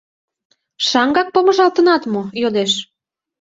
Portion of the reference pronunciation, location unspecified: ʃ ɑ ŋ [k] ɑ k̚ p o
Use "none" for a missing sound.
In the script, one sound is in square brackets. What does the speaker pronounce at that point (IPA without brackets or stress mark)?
ɡ